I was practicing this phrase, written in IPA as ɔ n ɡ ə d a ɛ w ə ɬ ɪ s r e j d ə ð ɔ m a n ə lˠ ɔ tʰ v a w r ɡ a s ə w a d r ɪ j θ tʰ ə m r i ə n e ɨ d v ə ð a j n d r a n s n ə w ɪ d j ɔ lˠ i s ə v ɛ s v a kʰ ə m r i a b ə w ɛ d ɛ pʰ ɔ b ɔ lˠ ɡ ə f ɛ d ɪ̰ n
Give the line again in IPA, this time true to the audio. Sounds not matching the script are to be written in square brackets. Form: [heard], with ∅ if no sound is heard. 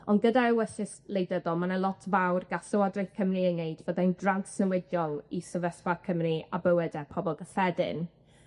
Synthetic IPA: ɔ n ɡ ə d a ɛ w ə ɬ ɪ s [l] e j d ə ð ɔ m a n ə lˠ ɔ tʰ v a w r ɡ a s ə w a d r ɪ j θ [kʰ] ə m r i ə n e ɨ d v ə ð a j n d r a n s n ə w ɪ d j ɔ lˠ i s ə v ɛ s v a kʰ ə m r i a b ə w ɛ d ɛ pʰ ɔ b ɔ lˠ ɡ ə f ɛ d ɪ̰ n